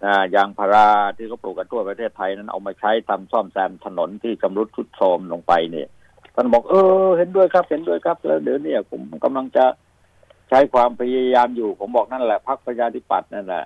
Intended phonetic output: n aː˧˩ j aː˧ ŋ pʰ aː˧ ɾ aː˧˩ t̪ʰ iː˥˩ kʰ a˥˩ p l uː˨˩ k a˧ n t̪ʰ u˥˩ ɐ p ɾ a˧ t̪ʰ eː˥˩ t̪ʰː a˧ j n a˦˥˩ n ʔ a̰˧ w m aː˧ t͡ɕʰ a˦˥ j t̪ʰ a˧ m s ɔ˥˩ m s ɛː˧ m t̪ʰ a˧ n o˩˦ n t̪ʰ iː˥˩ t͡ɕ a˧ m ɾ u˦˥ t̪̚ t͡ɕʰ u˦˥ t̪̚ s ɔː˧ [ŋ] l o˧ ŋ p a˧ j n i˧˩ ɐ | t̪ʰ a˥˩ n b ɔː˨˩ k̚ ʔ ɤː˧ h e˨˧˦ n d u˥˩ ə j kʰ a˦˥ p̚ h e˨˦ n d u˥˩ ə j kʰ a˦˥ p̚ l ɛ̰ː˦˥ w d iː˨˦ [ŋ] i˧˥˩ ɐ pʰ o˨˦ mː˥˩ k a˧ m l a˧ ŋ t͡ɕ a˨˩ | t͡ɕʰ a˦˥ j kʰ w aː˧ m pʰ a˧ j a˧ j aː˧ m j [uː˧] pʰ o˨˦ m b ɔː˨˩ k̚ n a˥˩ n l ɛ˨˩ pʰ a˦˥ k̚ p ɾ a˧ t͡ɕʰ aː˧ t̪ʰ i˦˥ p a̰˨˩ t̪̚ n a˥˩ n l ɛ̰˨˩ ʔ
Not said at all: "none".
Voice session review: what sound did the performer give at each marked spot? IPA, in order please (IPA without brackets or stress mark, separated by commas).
m, n, uː˨˩